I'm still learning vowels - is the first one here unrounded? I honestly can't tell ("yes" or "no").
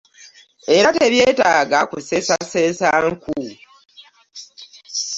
yes